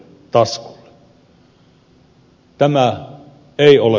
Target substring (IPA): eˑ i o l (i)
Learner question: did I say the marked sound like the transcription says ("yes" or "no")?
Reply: no